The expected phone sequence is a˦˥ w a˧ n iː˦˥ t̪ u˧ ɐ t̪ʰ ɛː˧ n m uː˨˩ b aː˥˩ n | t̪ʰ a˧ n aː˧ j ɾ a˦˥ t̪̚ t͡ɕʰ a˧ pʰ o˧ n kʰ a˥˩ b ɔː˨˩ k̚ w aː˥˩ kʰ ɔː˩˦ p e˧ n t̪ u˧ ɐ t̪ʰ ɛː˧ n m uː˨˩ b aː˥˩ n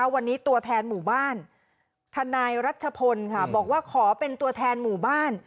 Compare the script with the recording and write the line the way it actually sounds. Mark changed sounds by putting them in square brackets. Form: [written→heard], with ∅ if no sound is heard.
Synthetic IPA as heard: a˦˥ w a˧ [n→nː] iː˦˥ t̪ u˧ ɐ t̪ʰ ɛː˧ n m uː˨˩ b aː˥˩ n | t̪ʰ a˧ n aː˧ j ɾ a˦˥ t̪̚ t͡ɕʰ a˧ pʰ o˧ n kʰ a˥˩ b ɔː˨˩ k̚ w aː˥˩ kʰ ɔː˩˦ p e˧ n t̪ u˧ ɐ t̪ʰ ɛː˧ n m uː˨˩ b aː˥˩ n